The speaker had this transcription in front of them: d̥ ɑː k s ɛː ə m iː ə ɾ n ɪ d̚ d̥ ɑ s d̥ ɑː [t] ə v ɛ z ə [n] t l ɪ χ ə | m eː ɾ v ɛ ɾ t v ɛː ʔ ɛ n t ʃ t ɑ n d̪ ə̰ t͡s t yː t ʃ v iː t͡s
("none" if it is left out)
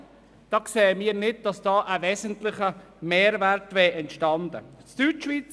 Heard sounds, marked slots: ʔ, n

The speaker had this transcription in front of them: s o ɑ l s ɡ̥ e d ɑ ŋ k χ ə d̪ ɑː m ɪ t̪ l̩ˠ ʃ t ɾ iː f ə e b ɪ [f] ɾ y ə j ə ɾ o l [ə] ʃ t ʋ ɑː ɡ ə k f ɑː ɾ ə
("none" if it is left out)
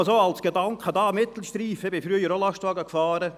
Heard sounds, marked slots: f, ɑ

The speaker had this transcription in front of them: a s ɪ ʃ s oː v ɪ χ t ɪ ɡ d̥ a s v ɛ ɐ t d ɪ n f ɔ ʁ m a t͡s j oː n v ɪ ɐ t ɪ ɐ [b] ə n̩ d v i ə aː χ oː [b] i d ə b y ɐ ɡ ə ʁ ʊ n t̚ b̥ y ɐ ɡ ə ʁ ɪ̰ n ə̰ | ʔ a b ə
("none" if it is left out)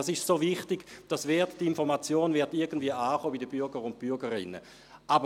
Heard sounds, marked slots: ɡ, b

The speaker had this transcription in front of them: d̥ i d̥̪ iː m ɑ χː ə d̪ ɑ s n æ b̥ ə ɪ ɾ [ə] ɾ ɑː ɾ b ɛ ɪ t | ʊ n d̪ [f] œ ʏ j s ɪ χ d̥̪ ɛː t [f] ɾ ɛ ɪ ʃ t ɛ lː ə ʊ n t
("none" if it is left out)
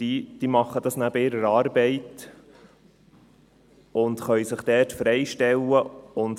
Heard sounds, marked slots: ə, χ, f

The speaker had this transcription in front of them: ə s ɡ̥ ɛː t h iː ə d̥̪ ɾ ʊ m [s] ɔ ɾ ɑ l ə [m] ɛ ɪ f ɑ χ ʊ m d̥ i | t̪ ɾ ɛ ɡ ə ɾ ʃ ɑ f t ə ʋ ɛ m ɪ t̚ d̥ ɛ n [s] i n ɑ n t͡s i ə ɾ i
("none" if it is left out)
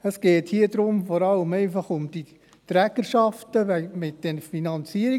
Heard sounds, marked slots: f, m, f

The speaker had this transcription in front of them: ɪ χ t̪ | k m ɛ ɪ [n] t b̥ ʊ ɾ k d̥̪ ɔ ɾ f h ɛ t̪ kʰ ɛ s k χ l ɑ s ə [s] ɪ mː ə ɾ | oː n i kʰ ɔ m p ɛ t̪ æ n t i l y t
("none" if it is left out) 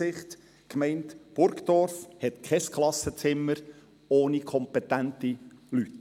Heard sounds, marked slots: n, t͡s

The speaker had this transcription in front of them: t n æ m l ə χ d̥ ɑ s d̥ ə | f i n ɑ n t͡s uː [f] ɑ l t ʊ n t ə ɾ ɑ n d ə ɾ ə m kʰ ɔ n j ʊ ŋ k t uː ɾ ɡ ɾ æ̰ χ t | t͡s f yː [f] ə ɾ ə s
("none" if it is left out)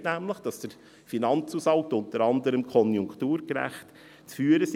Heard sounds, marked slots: s, none

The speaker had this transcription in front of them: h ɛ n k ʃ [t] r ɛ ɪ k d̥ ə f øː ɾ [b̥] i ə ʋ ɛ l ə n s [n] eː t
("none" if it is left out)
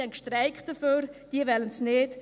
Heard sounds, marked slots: t, d̥, n

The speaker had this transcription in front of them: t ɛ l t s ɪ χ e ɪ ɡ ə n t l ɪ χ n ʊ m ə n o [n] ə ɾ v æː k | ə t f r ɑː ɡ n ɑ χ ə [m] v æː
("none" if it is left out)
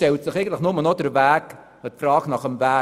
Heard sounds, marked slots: d, m

